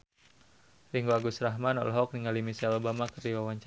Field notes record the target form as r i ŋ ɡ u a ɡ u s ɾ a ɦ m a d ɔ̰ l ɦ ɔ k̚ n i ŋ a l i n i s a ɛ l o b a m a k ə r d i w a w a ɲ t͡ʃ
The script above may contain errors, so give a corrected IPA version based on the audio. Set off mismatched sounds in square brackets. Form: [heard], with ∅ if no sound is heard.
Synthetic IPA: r i ŋ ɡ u a ɡ u s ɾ a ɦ m a [n] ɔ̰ l ɦ ɔ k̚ n i ŋ a l i [m] i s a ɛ l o b a m a k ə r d i w a w a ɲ t͡ʃ